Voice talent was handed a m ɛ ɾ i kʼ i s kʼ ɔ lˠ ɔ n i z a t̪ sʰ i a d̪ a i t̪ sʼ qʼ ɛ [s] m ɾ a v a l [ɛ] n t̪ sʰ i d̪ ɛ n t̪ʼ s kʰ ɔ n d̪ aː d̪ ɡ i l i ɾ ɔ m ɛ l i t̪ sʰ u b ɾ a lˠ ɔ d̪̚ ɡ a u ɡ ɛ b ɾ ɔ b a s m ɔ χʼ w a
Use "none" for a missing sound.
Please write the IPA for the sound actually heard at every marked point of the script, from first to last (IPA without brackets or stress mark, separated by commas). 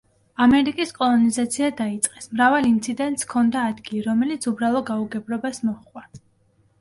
s, i